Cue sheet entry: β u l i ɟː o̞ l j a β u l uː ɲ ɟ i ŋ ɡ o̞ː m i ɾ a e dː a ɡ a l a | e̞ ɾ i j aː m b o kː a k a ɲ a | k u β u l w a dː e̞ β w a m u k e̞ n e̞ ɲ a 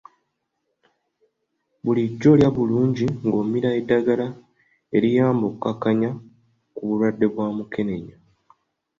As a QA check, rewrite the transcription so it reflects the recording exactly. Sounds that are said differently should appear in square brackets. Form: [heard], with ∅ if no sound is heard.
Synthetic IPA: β u l i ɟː o̞ l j a β u l uː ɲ ɟ i ŋ ɡ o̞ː m i ɾ a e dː a ɡ a l a | e̞ ɾ i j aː m b o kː a k a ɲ a | k u β u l w a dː e̞ β w a m u k e̞ n e̞ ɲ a